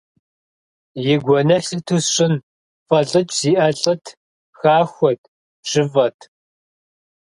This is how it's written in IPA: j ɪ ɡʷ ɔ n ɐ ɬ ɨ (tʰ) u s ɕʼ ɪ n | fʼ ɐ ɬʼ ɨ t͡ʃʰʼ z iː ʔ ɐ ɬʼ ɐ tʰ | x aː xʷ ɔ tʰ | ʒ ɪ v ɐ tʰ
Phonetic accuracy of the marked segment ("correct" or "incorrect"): correct